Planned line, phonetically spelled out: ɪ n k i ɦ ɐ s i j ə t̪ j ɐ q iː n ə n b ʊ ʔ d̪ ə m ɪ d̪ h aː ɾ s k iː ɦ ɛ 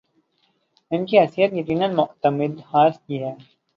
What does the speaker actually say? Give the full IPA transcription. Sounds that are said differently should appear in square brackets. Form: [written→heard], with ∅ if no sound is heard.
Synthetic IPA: ɪ n k i ɦ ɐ s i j ə t̪ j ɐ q iː n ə n [b→m] ʊ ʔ [d̪→t̪] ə m ɪ d̪ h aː ɾ s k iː ɦ [ɛ→ɛː]

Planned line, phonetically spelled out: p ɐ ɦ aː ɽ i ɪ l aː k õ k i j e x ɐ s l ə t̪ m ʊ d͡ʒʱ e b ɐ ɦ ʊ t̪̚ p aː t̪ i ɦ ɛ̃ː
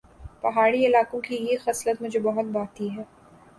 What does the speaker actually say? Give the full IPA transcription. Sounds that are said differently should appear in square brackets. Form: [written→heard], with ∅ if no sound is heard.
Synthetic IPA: p ɐ ɦ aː ɽ i ɪ l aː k õ k i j e x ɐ s l ə t̪ m ʊ d͡ʒʱ e b ɐ ɦ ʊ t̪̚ [p→b] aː t̪ i ɦ [ɛ̃ː→ɛː]

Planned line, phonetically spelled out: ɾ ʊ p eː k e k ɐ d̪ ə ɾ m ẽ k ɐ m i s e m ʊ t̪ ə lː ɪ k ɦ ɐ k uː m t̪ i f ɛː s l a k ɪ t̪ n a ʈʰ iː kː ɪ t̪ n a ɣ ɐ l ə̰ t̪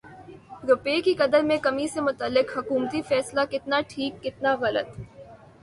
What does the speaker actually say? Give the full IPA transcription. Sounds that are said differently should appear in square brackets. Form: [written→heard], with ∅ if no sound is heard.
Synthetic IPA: ɾ ʊ p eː k [e→i] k ɐ d̪ ə ɾ m ẽ k ɐ m i s e m ʊ t̪ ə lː ɪ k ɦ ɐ k uː m t̪ i f ɛː s l a k ɪ t̪ n a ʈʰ iː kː ɪ t̪ n a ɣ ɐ l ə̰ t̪

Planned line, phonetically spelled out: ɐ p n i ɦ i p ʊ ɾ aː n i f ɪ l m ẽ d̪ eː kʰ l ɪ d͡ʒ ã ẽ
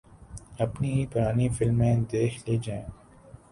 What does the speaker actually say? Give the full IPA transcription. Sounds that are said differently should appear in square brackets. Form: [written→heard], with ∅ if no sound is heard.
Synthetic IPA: ɐ p n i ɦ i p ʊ ɾ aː n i f ɪ l m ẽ d̪ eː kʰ l [ɪ→i] d͡ʒ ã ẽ

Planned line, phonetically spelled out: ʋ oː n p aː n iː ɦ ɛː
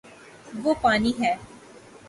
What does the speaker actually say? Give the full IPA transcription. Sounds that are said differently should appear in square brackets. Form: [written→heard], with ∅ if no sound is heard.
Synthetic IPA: ʋ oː [n→∅] p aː n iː ɦ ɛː

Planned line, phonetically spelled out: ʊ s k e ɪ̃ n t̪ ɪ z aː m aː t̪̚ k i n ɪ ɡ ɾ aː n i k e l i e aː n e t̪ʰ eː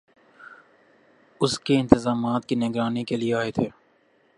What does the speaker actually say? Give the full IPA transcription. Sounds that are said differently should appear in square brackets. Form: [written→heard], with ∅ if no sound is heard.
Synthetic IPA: ʊ s k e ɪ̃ n t̪ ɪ z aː m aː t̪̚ k i n ɪ ɡ ɾ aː n i k e l i e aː [n→∅] e t̪ʰ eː

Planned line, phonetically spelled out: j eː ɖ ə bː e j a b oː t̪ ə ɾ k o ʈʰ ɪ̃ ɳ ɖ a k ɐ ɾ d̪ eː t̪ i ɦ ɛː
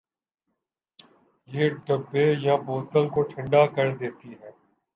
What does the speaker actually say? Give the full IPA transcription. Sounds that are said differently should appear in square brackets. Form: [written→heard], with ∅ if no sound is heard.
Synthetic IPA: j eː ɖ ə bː e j a b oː t̪ ə [ɾ→l] k o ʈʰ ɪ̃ ɳ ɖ a k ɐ ɾ d̪ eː t̪ i ɦ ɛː

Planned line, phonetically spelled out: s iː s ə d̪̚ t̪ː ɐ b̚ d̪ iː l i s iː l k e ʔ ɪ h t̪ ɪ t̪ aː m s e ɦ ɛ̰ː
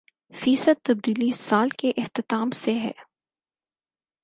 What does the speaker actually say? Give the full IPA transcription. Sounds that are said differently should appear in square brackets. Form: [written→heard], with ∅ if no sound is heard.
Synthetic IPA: [s→f] iː s ə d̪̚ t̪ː ɐ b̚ d̪ iː l i s [iː→aː] l k e ʔ ɪ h t̪ ɪ t̪ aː m s e ɦ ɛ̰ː

